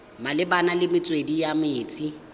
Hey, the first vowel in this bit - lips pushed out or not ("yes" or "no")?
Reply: no